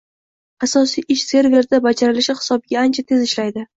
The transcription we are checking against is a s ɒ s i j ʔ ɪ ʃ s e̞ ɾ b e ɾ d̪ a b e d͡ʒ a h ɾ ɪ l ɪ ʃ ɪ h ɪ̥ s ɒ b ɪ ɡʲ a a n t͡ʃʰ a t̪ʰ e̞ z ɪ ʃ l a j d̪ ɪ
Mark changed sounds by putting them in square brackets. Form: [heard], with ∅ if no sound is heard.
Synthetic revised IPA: a s ɒ s i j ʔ ɪ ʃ s e̞ ɾ [v] e ɾ d̪ a b [a] d͡ʒ a [∅] ɾ ɪ l ɪ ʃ ɪ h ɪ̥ s ɒ b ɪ ɡʲ a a n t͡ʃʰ a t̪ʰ e̞ z ɪ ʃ l a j d̪ ɪ